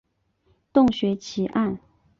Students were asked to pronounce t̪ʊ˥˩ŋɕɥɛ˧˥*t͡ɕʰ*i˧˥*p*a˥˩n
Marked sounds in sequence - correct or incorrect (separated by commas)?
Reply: correct, incorrect